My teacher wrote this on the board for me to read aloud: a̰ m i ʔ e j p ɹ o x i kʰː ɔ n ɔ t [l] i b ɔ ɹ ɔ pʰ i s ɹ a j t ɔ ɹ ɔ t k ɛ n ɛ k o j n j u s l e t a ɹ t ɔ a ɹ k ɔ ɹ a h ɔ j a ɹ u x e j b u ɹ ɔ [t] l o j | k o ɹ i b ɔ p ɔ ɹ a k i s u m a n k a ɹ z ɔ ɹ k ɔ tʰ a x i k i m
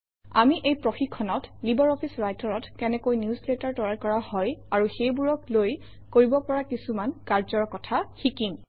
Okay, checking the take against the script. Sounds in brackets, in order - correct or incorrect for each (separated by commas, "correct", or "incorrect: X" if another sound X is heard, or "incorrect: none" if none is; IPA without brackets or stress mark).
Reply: correct, incorrect: k